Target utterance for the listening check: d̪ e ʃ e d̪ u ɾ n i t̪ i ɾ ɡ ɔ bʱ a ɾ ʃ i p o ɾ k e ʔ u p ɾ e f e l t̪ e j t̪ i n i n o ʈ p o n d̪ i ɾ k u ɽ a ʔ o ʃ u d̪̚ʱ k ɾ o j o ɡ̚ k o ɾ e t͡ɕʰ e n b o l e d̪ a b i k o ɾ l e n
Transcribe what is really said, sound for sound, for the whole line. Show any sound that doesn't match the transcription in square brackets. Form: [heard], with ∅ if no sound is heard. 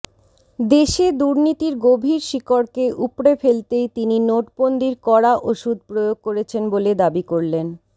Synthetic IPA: d̪ e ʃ e d̪ u ɾ n i t̪ i ɾ ɡ [o] bʱ [i] ɾ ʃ i [k] o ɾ k e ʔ u p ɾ e f e l t̪ e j t̪ i n i n o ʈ p o n d̪ i ɾ k [ɔ] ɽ a ʔ o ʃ u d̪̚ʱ [p] ɾ o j o ɡ̚ k o ɾ e t͡ɕʰ e n b o l e d̪ a b i k o ɾ l e n